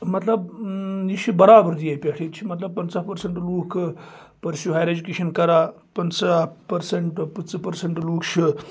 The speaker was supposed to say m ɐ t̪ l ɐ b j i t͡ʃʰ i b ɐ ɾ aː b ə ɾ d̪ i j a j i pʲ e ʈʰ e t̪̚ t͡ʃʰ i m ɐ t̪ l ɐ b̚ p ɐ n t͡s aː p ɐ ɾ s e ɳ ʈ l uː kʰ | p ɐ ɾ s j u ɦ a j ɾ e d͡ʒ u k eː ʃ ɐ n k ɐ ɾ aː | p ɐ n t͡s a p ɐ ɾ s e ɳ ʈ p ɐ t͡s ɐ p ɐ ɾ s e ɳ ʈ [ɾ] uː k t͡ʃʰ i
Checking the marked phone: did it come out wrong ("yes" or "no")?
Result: yes